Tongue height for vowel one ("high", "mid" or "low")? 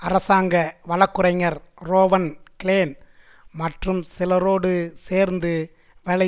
low